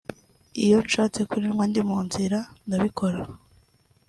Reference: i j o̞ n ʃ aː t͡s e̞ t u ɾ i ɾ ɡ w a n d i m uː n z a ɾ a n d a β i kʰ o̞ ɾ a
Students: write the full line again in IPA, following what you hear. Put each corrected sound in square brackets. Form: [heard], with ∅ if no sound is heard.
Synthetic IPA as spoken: i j o̞ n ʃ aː t͡s e̞ [k] u ɾ i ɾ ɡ w a n d i m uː n z [i] ɾ a n d a β i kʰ o̞ ɾ a